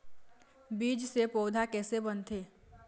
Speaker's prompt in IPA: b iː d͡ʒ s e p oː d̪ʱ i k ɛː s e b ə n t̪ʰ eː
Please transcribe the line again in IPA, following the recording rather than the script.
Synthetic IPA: b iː d͡ʒ s e p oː d̪ʱ a k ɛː s e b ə n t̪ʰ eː